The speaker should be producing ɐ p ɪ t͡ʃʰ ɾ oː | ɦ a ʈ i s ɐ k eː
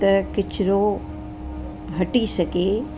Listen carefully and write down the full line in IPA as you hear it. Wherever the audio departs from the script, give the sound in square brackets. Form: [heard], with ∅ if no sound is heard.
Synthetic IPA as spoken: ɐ [k] ɪ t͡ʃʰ ɾ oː | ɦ [ɐ] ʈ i s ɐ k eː